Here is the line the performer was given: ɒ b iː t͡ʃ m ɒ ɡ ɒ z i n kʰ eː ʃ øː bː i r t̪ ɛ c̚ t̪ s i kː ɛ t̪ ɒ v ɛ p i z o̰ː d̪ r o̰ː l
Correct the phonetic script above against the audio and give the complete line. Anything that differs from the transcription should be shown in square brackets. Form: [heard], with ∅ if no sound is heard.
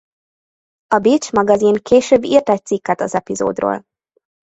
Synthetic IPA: ɒ b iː t͡ʃ m ɒ ɡ ɒ z i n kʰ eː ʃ øː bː i r t̪ ɛ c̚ t̪ s i kː ɛ t̪ ɒ [z] ɛ p i z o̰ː d̪ r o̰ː l